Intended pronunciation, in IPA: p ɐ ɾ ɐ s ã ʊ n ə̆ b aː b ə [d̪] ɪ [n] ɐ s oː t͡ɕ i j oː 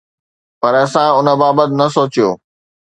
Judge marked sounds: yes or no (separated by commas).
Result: no, yes